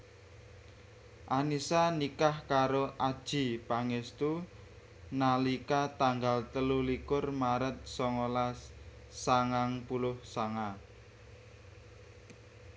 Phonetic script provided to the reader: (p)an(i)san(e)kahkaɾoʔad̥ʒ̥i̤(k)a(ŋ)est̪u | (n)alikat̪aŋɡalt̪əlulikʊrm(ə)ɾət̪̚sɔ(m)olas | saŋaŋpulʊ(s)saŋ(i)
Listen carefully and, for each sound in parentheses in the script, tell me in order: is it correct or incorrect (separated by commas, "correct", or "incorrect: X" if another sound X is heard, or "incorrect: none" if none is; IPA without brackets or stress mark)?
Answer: incorrect: ʔ, correct, incorrect: i, incorrect: p, correct, correct, incorrect: a, incorrect: ŋ, incorrect: h, incorrect: a